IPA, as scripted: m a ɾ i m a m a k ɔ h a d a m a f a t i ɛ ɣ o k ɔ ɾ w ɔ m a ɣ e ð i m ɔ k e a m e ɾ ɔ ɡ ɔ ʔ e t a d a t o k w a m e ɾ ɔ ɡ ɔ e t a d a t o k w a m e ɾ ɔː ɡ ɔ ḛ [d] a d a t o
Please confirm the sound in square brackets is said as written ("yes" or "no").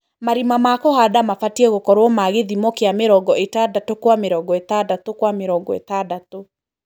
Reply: no